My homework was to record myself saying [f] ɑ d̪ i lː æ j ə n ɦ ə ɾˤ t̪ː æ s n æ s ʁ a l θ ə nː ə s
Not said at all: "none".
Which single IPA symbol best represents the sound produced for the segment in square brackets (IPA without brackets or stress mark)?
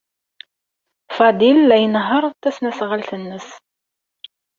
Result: f